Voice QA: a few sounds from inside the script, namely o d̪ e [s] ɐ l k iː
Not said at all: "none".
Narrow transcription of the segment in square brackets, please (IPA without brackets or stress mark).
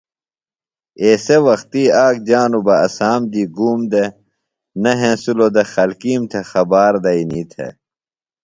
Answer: x